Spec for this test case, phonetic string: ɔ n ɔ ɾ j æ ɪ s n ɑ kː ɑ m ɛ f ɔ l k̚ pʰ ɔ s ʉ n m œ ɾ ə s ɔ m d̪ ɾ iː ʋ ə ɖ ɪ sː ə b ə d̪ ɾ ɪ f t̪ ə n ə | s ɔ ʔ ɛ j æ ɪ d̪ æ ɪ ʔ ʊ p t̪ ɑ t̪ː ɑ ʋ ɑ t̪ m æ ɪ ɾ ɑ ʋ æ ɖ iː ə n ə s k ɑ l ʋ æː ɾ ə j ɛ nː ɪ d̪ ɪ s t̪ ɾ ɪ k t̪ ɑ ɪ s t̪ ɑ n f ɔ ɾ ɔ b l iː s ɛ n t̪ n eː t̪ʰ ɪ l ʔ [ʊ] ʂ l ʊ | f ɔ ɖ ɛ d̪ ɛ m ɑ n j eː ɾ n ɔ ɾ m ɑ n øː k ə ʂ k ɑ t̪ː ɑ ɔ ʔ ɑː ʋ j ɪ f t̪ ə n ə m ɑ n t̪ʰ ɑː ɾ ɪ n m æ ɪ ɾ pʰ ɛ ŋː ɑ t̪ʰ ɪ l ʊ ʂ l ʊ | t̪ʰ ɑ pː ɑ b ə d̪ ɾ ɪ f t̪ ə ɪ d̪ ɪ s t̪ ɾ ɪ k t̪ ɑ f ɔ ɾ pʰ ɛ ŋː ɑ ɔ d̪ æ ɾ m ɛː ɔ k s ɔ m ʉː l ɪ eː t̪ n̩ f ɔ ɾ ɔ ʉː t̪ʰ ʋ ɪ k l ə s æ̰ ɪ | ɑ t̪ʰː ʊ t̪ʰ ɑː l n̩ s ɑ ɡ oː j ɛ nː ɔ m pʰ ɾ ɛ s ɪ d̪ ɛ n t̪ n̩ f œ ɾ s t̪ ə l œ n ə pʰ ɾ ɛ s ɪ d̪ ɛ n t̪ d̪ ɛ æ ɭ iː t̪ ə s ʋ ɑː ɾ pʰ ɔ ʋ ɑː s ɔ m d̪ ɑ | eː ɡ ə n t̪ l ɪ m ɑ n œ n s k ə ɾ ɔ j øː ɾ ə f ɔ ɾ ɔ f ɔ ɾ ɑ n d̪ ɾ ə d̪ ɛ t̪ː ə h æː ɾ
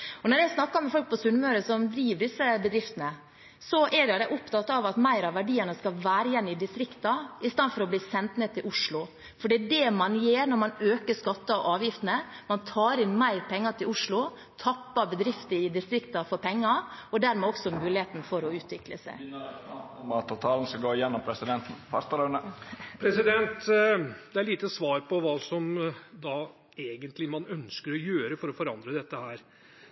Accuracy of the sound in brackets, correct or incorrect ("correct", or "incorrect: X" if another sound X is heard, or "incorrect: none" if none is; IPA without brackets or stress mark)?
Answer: correct